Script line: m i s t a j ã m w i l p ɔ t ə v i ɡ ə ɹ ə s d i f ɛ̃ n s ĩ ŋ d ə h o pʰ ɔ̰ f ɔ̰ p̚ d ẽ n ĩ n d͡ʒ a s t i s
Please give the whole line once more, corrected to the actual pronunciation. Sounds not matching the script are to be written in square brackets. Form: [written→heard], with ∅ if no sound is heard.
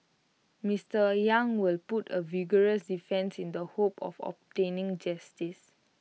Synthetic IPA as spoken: m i s t [a→ə] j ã [m→ŋ] w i l p [ɔ→u] t ə v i ɡ ə ɹ ə s d i f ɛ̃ n s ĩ [ŋ→n] d ə h o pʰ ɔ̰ f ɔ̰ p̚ [d→t] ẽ n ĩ [n→ŋ] d͡ʒ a s t i s